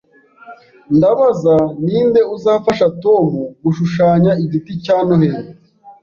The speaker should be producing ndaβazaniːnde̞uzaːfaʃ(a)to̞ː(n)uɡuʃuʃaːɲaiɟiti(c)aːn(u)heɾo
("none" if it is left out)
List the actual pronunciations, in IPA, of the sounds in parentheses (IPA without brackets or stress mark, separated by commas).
a, m, c, o